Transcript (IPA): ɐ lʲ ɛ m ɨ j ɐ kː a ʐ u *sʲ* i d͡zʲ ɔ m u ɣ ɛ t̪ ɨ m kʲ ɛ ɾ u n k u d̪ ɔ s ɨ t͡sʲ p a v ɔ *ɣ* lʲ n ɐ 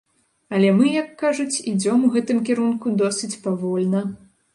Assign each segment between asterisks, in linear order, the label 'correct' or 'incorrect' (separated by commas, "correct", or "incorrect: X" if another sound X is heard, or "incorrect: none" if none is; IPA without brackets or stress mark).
incorrect: t͡sʲ, incorrect: none